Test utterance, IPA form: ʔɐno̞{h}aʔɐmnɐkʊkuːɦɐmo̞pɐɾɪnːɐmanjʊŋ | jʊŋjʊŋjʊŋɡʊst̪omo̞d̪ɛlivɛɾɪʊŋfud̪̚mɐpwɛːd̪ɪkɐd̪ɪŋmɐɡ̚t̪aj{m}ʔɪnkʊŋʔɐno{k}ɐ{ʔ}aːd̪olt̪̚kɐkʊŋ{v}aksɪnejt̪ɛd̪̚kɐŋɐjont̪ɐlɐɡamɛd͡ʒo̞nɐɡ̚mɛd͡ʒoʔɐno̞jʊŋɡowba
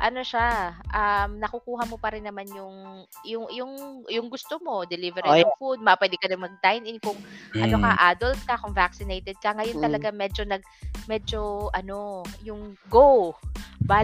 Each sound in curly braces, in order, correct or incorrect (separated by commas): incorrect, incorrect, correct, correct, correct